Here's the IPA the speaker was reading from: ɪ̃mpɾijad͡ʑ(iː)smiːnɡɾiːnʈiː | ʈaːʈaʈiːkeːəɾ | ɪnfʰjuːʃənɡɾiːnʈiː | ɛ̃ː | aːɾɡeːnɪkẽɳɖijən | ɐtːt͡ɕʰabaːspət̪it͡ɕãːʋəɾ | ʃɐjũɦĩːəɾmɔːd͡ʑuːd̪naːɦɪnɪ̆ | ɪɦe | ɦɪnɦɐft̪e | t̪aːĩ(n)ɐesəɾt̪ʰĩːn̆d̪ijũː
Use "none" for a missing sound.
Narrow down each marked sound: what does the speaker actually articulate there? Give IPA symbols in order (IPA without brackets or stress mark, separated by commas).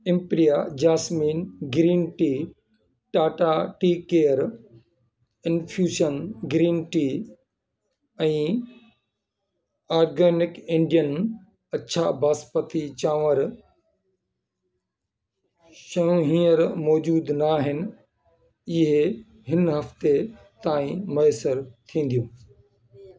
aː, m